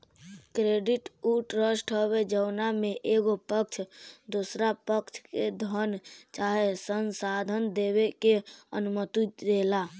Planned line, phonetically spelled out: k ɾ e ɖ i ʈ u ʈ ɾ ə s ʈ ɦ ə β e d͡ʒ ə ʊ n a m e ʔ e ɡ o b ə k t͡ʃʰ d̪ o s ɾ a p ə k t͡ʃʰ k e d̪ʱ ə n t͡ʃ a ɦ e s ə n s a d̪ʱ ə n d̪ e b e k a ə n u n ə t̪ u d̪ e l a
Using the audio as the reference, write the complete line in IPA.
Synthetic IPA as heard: k ɾ e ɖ i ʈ u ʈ ɾ ə s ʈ ɦ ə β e d͡ʒ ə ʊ n a m e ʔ e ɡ o p ə k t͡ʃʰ d̪ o s ɾ a p ə k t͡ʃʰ k e d̪ʱ ə n t͡ʃ a ɦ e s ə n s a d̪ʱ ə n d̪ e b e k e ə n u m ə t̪ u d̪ e l a